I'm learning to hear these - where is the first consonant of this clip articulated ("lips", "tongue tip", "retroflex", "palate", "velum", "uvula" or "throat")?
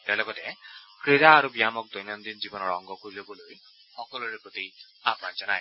tongue tip